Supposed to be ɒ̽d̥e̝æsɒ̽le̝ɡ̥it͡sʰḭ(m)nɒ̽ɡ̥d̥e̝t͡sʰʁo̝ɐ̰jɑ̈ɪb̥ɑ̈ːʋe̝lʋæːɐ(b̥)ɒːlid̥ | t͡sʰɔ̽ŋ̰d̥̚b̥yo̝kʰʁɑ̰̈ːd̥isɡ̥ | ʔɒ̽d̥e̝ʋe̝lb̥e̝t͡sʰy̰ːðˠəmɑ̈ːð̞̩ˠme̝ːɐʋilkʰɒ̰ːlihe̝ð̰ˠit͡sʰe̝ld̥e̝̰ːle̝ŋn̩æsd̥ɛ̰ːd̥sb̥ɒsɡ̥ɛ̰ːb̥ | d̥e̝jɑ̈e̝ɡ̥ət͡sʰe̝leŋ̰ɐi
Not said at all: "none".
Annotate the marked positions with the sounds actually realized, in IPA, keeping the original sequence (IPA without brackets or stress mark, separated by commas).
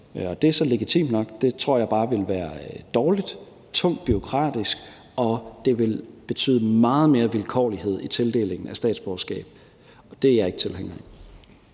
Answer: m, d̥